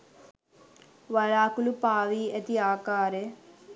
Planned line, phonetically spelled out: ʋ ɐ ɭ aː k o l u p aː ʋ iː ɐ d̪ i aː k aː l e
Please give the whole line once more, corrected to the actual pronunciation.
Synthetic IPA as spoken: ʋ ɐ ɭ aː k u l u p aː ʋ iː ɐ t̪ i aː k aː ɾ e